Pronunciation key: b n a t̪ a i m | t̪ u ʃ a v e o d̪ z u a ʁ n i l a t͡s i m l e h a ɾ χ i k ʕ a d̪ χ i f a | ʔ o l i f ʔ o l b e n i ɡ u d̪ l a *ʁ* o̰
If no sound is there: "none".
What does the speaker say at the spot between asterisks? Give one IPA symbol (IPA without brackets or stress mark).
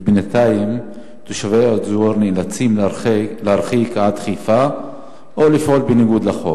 χ